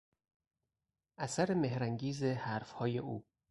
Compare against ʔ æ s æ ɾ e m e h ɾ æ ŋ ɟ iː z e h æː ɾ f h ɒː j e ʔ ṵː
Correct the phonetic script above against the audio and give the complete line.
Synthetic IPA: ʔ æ s æ ɾ e m e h ɾ æ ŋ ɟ iː z e h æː ɾ f h ɒː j e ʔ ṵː